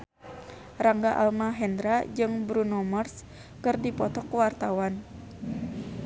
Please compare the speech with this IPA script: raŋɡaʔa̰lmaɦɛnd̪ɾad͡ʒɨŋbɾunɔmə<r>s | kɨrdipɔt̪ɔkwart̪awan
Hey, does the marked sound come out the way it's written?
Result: yes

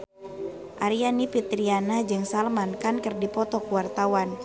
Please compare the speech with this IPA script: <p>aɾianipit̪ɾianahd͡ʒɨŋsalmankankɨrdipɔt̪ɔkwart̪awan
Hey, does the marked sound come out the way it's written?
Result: no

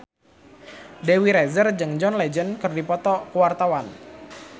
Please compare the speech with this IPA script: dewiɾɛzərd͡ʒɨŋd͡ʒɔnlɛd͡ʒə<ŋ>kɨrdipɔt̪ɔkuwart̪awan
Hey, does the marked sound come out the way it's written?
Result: no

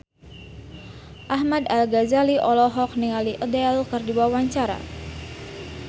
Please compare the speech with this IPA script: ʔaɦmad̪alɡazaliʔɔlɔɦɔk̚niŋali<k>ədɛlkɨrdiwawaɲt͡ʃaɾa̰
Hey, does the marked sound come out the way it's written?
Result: no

